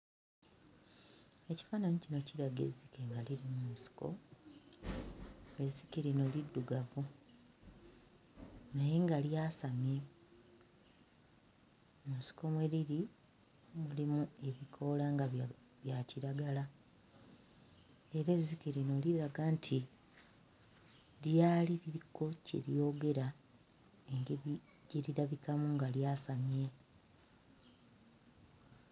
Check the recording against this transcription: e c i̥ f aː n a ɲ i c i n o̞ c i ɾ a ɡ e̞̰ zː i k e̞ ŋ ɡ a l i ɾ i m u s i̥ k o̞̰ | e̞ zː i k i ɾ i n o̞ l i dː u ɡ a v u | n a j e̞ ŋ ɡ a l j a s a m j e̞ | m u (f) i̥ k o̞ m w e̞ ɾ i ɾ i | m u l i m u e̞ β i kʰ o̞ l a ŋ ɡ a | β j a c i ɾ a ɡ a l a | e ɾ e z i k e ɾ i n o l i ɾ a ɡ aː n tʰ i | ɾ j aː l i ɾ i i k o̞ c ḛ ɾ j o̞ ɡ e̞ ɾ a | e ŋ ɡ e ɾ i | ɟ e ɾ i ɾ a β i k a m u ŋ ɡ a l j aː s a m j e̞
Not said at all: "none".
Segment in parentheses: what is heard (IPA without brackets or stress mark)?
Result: s